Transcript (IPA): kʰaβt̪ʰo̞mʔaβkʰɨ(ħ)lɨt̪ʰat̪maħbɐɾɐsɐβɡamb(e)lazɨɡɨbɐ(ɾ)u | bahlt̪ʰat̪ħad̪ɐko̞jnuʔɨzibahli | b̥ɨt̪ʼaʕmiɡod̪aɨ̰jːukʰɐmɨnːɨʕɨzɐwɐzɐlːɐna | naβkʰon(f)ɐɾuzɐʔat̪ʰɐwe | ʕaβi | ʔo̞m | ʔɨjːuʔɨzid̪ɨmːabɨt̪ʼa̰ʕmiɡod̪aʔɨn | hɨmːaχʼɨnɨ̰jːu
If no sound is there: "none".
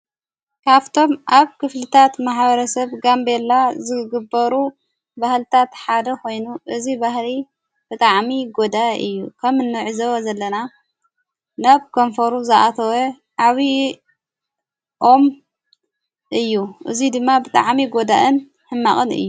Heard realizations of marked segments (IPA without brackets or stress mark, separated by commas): f, e, ɾ, f